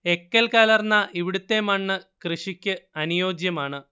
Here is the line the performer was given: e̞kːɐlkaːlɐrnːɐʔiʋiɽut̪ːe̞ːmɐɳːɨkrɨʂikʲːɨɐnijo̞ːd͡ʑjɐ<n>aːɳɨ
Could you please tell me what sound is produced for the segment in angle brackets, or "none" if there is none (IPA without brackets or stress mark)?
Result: m